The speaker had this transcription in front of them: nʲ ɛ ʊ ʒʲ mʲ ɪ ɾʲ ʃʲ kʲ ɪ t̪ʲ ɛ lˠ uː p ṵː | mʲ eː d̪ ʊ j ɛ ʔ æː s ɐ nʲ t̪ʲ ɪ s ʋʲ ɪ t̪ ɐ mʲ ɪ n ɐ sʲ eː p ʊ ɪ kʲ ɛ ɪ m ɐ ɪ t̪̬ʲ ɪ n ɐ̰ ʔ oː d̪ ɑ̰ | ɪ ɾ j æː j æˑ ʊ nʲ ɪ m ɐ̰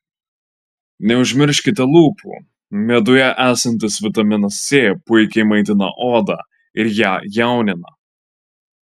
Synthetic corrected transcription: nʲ ɛ ʊ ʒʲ mʲ ɪ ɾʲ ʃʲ kʲ ɪ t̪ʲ ɛ lˠ uː p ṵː | mʲ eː d̪ ʊ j ɛ ʔ æː s ɐ nʲ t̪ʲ ɪ s ʋʲ ɪ t̪ ɐ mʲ ɪ n ɐ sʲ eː p ʊ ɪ kʲ ɛ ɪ m ɐ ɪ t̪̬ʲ ɪ n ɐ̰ ʔ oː d̪ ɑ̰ | ɪ ɾ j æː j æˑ ʊ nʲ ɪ n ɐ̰